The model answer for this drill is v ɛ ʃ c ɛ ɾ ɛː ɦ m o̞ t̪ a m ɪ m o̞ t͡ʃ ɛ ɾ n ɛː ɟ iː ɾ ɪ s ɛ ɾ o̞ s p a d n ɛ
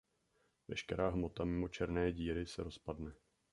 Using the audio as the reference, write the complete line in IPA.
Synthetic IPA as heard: v ɛ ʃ k ɛ ɾ aː ɦ m o̞ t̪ a m ɪ m o̞ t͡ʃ ɛ ɾ n ɛː ɟ iː ɾ ɪ s ɛ ɾ o̞ s p a d n ɛ